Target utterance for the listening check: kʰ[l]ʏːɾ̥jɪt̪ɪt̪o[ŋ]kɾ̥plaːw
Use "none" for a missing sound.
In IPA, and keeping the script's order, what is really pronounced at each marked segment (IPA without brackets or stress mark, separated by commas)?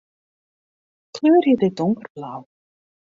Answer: l, ŋ